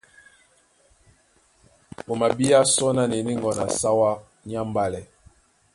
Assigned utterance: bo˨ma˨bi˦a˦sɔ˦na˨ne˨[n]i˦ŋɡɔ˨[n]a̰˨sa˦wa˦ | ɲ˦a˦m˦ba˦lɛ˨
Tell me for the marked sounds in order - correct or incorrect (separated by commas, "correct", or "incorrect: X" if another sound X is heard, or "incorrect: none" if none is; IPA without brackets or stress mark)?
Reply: correct, correct